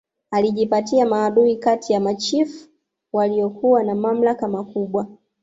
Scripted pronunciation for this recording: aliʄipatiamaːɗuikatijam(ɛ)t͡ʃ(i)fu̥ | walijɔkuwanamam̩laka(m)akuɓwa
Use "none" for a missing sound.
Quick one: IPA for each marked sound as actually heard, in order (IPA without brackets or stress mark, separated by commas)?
a, i, m